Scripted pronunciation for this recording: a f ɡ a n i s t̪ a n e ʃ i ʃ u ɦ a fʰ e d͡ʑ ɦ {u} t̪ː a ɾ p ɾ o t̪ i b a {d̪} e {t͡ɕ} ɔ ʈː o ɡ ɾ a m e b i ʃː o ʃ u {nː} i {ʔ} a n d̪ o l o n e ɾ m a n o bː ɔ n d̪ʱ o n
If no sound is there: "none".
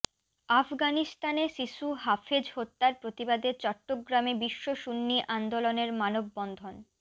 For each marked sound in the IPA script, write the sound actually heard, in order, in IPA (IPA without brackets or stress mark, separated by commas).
o, d̪, t͡ɕ, nː, ʔ